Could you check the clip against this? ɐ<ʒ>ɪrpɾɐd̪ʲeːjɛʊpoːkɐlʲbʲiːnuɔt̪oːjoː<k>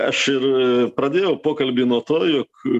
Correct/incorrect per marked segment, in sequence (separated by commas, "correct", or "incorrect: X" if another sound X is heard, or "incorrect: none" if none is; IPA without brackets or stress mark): incorrect: ʃ, correct